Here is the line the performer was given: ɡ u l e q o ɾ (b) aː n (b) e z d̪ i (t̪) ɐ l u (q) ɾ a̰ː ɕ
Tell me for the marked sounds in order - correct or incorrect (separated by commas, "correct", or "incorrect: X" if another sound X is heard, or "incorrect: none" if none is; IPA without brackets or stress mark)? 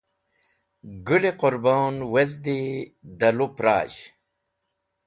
correct, incorrect: w, incorrect: d̪, incorrect: p